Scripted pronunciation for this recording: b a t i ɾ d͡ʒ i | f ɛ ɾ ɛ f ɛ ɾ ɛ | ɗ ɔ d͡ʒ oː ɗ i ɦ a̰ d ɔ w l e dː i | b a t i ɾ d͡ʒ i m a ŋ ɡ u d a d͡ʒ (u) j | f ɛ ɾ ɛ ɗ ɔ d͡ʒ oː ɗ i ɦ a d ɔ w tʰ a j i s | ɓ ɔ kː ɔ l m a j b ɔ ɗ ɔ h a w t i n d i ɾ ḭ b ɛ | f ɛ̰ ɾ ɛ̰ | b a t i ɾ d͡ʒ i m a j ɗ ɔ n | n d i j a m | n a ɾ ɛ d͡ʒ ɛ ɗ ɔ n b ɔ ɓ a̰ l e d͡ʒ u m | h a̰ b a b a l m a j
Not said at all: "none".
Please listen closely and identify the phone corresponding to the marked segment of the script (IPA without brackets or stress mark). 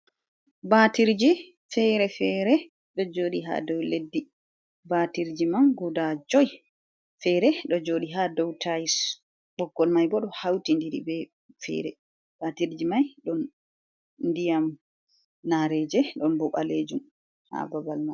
ɔ